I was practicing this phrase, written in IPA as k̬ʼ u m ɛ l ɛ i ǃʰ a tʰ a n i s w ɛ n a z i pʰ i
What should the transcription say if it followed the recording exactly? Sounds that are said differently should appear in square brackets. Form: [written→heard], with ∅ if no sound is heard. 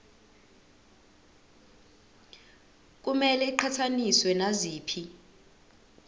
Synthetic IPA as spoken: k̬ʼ u m ɛ l ɛ i ǃʰ a tʰ a n i s w ɛ n a z [i→iː] pʰ i